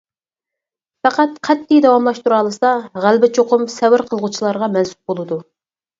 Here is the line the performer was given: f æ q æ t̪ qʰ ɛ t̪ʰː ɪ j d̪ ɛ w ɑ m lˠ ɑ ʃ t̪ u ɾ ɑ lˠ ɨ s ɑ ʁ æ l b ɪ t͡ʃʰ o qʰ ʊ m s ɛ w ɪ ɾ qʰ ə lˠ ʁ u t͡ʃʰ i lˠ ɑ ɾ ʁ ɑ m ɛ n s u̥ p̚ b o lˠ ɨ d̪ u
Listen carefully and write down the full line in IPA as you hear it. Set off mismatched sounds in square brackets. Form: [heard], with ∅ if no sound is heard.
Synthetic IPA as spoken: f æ q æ t̪ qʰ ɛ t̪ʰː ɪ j d̪ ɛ w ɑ m lˠ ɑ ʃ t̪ u ɾ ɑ lˠ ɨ s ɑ ʁ æ l b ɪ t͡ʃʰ o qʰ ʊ m s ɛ w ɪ ɾ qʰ ə lˠ ʁ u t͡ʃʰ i lˠ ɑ ɾ ʁ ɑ m ɛ n s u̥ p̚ b o lˠ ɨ d̪ u